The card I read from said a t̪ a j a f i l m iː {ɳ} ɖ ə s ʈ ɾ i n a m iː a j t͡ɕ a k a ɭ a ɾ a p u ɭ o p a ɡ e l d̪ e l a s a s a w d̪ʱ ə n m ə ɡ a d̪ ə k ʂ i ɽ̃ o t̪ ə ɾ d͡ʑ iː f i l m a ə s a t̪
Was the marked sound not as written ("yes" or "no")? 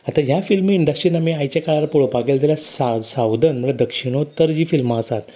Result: no